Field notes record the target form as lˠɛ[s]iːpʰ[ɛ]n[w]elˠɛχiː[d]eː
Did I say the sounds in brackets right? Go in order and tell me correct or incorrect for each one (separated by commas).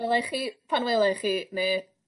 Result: incorrect, incorrect, correct, incorrect